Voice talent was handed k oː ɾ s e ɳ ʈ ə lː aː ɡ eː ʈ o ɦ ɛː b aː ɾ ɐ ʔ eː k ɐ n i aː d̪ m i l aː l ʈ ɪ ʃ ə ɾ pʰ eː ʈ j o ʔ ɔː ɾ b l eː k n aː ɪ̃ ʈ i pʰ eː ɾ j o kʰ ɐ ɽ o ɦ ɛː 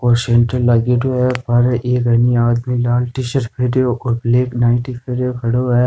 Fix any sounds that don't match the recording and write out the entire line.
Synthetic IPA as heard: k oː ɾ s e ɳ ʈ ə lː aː ɡ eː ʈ o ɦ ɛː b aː ɾ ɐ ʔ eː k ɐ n i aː d̪ m i l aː l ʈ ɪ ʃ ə ɾ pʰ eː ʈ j o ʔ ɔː ɾ b l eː k n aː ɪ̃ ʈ i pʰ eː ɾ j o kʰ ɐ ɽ o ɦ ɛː